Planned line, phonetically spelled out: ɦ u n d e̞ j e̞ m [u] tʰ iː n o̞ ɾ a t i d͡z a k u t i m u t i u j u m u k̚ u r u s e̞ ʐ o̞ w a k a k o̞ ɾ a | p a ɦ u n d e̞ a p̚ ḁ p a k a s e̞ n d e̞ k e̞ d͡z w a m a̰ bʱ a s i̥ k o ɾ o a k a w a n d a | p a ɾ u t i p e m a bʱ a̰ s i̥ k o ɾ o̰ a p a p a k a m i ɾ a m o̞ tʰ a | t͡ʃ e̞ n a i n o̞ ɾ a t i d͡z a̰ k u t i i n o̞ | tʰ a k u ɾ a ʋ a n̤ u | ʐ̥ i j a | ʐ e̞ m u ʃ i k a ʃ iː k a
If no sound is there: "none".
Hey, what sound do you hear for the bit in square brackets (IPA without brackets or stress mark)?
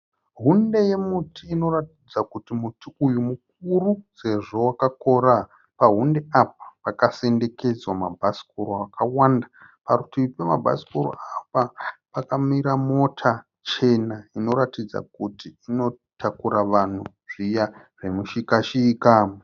u